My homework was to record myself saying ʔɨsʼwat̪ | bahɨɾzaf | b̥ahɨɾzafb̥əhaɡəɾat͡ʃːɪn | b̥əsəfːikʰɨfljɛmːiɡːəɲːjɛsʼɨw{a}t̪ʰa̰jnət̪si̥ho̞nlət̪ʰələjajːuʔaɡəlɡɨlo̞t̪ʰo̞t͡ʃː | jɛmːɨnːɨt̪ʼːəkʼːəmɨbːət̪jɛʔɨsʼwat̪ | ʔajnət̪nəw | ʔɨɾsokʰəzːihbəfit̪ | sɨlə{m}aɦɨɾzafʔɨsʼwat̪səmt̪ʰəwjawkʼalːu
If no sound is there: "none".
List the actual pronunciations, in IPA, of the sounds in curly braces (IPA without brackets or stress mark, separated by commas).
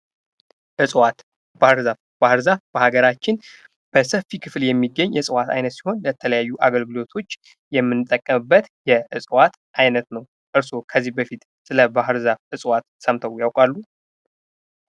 a, b